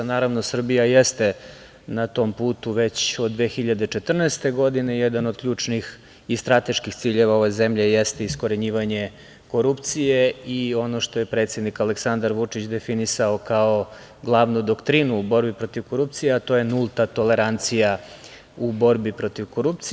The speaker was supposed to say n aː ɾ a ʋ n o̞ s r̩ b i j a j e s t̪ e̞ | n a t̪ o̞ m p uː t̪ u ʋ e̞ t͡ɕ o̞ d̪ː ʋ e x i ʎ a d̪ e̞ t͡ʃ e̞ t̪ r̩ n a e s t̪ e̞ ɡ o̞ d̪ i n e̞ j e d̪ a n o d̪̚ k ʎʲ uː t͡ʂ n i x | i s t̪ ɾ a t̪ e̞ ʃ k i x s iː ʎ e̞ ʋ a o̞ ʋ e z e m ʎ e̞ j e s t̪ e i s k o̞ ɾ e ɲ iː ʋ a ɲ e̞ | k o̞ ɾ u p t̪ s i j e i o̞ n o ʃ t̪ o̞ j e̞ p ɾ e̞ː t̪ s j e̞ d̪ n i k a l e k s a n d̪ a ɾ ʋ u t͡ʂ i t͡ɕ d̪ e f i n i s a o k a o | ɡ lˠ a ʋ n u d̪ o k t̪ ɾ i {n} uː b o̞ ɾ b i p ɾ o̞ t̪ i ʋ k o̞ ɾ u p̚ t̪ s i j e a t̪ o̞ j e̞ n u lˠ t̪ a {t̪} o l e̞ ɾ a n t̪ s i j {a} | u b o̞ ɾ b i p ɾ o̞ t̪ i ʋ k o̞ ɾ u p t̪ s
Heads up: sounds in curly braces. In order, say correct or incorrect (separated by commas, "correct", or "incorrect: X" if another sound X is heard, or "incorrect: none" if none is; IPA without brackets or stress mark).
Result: correct, correct, correct